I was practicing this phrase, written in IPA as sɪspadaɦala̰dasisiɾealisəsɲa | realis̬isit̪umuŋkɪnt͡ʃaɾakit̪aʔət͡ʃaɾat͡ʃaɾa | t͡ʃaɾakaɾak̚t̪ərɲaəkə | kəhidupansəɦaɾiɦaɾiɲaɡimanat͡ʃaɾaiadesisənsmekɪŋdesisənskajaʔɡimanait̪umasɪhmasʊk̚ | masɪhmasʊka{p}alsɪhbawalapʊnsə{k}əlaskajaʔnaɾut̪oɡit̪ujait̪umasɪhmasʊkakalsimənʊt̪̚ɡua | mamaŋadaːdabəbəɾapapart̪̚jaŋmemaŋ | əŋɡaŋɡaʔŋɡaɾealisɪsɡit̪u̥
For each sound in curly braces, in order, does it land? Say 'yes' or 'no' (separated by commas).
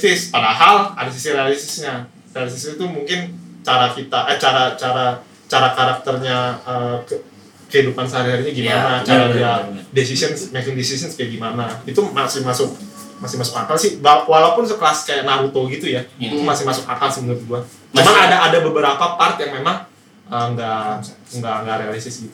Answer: no, yes